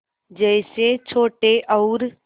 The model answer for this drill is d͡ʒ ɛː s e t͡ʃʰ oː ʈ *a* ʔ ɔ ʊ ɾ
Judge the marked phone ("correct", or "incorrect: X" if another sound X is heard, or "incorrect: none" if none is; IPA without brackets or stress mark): incorrect: e